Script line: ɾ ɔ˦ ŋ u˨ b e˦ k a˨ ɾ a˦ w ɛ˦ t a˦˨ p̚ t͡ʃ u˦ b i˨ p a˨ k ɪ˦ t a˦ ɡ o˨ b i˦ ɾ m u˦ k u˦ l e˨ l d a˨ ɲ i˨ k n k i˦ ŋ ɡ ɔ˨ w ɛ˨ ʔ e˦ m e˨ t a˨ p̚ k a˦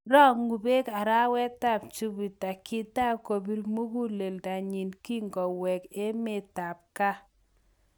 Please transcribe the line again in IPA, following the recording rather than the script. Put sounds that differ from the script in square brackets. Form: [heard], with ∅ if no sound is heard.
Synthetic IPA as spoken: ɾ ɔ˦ ŋ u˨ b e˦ k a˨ ɾ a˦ w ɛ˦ t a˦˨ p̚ t͡ʃ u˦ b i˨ [t] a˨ k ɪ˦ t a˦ [k] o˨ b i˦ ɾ m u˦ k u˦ l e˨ l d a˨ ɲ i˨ [∅] n k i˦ ŋ ɡ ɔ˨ w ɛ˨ [k] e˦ m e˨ t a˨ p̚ k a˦